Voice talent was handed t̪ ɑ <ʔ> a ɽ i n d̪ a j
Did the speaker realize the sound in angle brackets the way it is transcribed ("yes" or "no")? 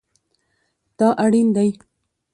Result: yes